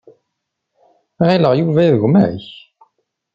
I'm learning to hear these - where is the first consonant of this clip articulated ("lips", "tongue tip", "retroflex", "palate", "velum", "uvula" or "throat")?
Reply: uvula